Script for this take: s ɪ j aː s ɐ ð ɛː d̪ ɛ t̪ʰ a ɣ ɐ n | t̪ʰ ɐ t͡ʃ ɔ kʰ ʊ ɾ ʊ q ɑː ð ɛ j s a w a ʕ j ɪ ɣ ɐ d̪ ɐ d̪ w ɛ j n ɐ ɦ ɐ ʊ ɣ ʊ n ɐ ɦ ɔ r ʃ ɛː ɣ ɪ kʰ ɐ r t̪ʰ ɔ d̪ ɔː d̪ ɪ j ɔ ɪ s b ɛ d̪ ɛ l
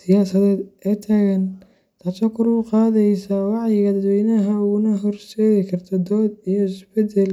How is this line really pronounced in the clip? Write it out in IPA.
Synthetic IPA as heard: s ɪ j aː s ɐ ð ɛː d̪ ɛ t̪ʰ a ɣ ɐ n | t̪ʰ ɐ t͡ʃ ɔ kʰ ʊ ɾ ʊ q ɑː ð ɛ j s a w ɑ ʕ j ɪ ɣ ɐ d̪ ɐ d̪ w ɛ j n ɐ ɦ ɐ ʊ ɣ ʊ n ɐ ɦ ɔ r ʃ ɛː ɣ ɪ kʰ ɐ r t̪ʰ ɔ d̪ ɔː d̪ i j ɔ ɪ s b ɛ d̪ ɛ l